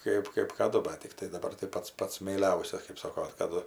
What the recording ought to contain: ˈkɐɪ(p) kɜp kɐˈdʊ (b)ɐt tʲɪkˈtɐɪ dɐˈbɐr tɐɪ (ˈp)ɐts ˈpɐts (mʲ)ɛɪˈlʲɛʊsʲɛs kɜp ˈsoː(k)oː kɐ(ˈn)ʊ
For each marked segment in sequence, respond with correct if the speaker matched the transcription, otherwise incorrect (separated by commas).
correct, correct, correct, correct, correct, incorrect